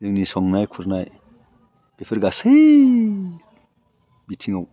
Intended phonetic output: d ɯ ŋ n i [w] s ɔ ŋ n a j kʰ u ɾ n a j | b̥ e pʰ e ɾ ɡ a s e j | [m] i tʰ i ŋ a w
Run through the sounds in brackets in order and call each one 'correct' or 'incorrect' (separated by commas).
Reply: incorrect, incorrect